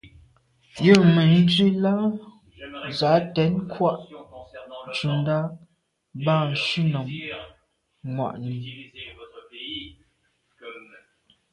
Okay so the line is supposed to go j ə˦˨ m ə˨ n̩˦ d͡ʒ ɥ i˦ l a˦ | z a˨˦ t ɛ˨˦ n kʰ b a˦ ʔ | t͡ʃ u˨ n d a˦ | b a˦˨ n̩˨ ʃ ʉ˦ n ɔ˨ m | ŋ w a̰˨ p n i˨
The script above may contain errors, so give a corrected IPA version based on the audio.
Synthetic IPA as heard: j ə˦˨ m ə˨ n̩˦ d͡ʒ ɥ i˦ l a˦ | z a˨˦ t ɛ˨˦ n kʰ w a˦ ʔ | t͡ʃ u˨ n d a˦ | b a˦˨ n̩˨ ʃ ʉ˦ n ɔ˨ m | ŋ w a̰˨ ʔ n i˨